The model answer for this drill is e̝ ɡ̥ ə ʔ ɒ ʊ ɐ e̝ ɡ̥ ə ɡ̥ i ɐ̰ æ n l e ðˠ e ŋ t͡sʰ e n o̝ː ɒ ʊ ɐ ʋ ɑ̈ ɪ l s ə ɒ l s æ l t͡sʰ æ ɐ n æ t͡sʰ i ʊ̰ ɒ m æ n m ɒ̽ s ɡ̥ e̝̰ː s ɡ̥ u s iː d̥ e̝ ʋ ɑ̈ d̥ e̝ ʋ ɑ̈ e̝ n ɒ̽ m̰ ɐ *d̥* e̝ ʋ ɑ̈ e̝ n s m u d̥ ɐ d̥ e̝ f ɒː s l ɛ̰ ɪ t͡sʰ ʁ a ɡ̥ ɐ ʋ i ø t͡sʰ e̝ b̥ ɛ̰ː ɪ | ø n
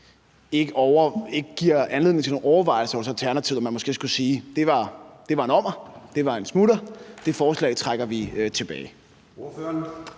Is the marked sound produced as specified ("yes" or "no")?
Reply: yes